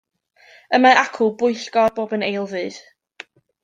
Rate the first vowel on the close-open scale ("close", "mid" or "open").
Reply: mid